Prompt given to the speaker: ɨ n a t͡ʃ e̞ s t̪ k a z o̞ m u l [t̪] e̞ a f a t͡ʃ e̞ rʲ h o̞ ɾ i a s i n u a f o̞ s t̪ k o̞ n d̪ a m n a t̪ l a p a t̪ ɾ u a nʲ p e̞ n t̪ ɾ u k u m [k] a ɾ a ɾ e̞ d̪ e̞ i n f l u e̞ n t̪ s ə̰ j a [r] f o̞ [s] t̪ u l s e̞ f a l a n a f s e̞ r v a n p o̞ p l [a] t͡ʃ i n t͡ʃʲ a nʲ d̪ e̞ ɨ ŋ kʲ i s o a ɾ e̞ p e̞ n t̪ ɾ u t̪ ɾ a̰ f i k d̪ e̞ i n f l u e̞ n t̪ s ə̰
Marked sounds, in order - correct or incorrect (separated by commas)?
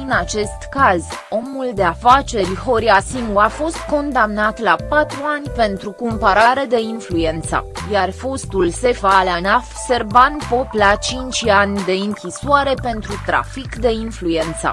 incorrect, incorrect, correct, correct, correct